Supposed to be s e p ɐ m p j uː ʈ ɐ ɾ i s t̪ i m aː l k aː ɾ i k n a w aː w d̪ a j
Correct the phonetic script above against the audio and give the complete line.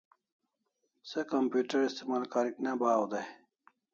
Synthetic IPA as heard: s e k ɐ m p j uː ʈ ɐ ɾ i s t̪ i m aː l k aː ɾ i k n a b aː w d̪ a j